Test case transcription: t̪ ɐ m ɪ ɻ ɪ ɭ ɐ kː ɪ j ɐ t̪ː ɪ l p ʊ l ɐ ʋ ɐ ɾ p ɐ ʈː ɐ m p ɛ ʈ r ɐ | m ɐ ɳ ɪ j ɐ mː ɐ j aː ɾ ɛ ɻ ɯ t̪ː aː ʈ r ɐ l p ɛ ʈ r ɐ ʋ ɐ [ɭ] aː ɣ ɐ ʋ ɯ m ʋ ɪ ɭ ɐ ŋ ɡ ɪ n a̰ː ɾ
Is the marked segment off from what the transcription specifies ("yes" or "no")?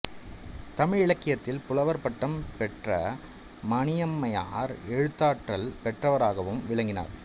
yes